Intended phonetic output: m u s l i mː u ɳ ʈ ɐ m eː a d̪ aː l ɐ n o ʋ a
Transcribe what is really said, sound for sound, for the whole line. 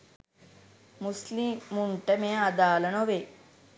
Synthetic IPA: m u s l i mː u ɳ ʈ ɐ m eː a d̪ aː l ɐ n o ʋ e